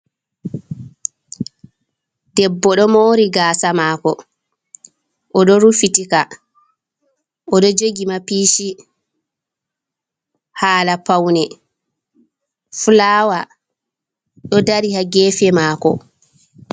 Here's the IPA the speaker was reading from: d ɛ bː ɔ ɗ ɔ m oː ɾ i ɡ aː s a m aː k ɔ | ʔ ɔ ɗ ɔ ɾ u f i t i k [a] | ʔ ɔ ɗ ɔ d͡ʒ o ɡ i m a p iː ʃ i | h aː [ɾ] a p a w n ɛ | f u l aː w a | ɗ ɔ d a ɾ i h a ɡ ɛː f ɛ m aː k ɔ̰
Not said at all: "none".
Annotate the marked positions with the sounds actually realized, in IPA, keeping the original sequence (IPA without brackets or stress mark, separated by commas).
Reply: a, l